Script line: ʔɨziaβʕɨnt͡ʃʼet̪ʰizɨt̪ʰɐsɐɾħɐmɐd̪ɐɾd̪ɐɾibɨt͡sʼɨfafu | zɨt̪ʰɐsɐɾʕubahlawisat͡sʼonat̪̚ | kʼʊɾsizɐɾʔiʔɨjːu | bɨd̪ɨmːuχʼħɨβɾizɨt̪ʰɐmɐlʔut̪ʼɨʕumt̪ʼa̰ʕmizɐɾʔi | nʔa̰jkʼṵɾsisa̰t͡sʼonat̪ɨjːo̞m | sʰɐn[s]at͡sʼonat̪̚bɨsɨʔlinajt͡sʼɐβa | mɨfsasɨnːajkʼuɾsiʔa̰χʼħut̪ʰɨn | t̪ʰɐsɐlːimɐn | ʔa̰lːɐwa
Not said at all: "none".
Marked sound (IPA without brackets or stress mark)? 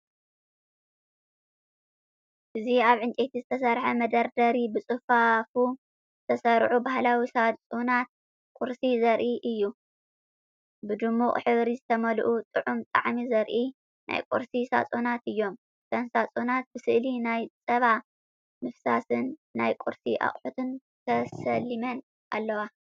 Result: s